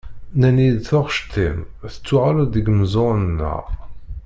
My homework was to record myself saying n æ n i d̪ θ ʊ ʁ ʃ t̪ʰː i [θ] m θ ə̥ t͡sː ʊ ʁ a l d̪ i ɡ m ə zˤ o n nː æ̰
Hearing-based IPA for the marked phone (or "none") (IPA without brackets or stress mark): none